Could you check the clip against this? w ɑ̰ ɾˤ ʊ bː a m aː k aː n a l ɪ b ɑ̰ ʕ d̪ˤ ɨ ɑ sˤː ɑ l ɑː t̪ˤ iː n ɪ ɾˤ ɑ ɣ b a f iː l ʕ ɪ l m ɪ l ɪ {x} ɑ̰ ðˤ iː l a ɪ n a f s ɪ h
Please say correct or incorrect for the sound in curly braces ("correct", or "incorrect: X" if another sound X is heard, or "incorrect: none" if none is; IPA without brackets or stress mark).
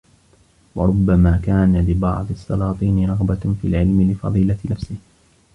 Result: incorrect: f